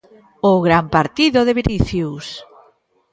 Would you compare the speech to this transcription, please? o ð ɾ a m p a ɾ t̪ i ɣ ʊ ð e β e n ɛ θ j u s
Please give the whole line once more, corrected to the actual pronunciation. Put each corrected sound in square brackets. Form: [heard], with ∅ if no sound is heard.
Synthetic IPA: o [ɣ] ɾ a m p a ɾ t̪ i [ð] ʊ ð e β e n [i] θ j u s